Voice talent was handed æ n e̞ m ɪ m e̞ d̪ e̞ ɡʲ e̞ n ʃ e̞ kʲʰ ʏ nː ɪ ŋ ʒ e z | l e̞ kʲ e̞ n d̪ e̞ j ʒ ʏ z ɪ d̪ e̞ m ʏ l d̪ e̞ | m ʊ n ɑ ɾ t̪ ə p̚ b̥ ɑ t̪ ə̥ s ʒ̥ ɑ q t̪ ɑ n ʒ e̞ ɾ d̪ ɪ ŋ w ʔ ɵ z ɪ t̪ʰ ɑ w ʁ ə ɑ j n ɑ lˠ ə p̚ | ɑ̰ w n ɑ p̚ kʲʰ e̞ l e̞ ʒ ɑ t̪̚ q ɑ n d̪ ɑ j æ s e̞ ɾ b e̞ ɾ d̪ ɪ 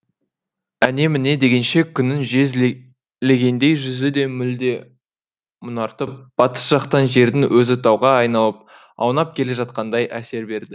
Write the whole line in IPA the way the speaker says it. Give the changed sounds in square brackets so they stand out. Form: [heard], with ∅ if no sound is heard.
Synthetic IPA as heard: æ n e̞ m ɪ [n] e̞ d̪ e̞ ɡʲ e̞ n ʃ e̞ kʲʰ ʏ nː ɪ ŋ ʒ e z | l e̞ [ɡʲ] e̞ n d̪ e̞ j ʒ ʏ z ɪ d̪ e̞ m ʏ l d̪ e̞ | m ʊ n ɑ ɾ t̪ ə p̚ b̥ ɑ t̪ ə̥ s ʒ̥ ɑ q t̪ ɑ n ʒ e̞ ɾ d̪ ɪ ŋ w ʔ ɵ z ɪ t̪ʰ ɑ w ʁ [ɑ] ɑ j n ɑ lˠ ə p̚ | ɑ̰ w n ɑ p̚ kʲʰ e̞ l e̞ ʒ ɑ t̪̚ q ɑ n d̪ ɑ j æ s e̞ ɾ b e̞ ɾ d̪ ɪ